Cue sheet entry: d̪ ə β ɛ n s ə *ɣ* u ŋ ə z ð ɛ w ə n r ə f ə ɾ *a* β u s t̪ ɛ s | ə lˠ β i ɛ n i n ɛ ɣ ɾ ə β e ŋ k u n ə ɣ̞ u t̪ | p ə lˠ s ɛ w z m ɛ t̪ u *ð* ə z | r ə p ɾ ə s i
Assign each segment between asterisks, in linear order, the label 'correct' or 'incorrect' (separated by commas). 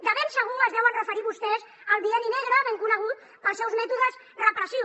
correct, incorrect, correct